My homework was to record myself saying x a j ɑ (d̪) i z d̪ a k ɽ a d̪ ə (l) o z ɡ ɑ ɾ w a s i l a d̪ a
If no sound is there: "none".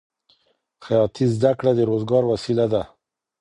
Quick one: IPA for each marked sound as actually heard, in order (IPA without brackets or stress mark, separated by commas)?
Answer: t̪, ɾ